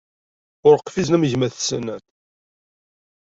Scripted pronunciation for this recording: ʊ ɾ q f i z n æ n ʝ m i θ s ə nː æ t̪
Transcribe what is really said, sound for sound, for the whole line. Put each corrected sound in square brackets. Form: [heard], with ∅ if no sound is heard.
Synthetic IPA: ʊ ɾ q f i z n æ [m] ʝ m [æ] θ s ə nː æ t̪